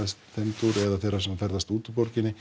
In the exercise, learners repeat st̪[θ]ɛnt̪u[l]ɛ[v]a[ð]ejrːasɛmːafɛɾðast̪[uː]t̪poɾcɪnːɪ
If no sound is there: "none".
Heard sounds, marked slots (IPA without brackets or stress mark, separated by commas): θ, ɾ, ð, θ, uː